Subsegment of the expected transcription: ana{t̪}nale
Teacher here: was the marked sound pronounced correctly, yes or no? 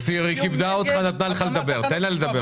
yes